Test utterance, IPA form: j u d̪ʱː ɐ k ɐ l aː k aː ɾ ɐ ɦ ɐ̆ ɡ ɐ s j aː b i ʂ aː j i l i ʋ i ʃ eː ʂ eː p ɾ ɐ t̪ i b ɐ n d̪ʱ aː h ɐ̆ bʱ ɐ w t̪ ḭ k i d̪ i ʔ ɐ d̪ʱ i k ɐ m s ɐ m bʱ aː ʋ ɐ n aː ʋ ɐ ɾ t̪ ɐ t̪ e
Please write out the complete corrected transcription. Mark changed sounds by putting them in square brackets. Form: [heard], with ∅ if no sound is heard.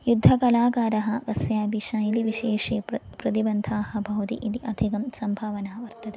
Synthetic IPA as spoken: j u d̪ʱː ɐ k ɐ l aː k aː ɾ ɐ ɦ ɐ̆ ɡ ɐ s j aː b i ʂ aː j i l i ʋ i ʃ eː ʂ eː p ɾ ɐ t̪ i b ɐ n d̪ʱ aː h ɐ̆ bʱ ɐ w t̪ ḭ [ʔ] i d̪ i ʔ ɐ d̪ʱ i k ɐ m s ɐ m bʱ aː ʋ ɐ n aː ʋ ɐ ɾ t̪ ɐ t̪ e